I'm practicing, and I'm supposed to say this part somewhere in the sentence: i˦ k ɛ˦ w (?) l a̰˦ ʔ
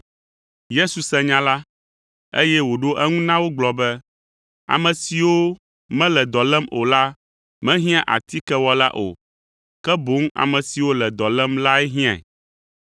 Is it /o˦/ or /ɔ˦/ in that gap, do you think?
ɔ˦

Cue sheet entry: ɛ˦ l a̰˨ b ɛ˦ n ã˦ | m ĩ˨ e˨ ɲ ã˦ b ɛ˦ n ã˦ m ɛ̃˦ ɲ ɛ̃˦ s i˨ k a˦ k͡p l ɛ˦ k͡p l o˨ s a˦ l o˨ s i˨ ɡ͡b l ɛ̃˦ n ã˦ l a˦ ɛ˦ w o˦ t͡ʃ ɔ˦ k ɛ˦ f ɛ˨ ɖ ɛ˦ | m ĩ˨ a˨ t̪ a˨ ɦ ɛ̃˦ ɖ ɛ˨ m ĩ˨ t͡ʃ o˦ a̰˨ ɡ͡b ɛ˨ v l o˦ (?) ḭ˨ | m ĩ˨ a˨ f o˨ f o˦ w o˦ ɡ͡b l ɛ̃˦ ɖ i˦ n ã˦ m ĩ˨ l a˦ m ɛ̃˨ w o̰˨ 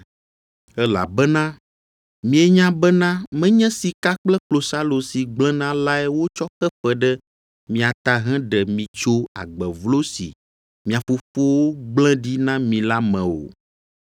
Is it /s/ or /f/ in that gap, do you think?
s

